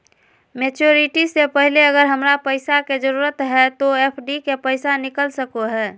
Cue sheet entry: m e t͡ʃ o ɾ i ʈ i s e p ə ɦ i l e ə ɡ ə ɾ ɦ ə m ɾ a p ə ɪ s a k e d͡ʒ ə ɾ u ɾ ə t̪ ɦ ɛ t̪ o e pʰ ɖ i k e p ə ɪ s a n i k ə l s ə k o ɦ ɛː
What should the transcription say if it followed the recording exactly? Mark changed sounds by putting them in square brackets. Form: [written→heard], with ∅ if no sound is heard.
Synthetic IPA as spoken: m e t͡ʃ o ɾ i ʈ i s e p ə ɦ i l e ə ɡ ə ɾ ɦ ə m ɾ a p ə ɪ s a k e d͡ʒ ə ɾ u ɾ ə t̪ ɦ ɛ t̪ o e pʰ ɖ i k e p ə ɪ s a n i k ə l s ə k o ɦ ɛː